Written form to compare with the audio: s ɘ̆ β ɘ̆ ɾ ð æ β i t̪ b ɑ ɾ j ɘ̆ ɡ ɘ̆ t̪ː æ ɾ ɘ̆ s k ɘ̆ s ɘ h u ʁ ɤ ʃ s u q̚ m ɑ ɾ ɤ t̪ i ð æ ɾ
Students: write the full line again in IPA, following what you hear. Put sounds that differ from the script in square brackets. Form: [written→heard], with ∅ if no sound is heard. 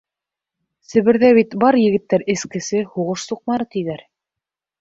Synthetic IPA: s ɘ̆ β ɘ̆ ɾ ð æ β i t̪ b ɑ ɾ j ɘ̆ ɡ ɘ̆ t̪ː æ ɾ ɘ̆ s k ɘ̆ s ɘ h u ʁ ɤ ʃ s u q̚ m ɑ ɾ ɤ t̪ i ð æ ɾ